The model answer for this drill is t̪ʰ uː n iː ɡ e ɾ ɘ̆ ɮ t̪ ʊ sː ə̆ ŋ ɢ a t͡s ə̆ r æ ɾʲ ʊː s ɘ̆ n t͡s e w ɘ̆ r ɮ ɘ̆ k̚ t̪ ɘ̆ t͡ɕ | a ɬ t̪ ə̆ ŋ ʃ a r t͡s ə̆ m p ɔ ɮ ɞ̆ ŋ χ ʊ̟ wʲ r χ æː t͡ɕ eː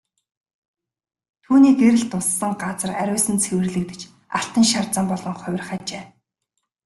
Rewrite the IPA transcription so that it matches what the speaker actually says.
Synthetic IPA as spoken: t̪ʰ uː n iː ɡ e ɾ ɘ̆ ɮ t̪ ʊ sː ə̆ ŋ ɢ a t͡s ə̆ r æ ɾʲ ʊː s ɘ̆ n t͡sʰ e w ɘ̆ r ɮ ɘ̆ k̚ t̪ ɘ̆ t͡ɕ | a ɬ t̪ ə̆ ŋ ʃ a r t͡s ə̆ m p ɔ ɮ ɞ̆ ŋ χ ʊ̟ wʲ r χ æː t͡ɕ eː

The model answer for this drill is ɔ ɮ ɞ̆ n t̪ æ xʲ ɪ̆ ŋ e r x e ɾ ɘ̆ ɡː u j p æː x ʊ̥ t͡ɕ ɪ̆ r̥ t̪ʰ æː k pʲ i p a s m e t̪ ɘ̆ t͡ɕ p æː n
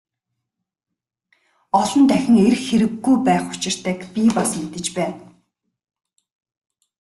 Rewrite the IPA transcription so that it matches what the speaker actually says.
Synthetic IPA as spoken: ɔ ɮ ɞ̆ n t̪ æ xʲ ɪ̆ ŋ e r x e ɾ ɘ̆ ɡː u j p æː χ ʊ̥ t͡ɕ ɪ̆ r̥ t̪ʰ æː k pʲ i p a s m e t̪ ɘ̆ t͡ɕ p æː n

